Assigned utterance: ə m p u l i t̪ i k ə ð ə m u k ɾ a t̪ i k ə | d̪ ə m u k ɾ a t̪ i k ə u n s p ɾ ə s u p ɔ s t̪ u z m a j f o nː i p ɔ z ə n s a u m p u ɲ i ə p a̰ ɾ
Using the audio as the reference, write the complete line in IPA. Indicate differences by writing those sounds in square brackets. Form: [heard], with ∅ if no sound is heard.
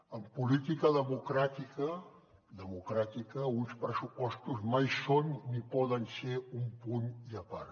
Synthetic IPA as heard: ə m p u l i t̪ i k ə ð ə m u k ɾ a t̪ i k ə | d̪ ə m u k ɾ a t̪ i k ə u n s p ɾ ə s u p ɔ s t̪ u z m a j [s] o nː i p ɔ [ð] ə n s [e] u m p u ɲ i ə p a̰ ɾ